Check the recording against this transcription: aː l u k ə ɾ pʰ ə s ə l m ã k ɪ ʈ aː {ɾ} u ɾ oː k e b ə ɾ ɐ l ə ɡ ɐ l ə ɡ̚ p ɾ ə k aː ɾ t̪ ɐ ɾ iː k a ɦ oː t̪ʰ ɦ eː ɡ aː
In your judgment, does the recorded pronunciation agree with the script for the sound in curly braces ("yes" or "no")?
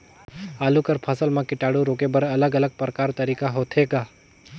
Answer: no